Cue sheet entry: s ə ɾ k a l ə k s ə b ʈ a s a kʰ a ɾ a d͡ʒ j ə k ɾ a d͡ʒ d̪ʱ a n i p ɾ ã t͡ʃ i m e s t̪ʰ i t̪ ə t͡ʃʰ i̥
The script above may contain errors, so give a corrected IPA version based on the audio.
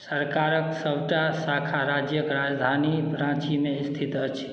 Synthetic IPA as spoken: s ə ɾ k a ɾ ə k s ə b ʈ a s a kʰ a ɾ a d͡ʒ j ə k ɾ a d͡ʒ d̪ʱ a n i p ɾ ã t͡ʃ i m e s t̪ʰ i t̪ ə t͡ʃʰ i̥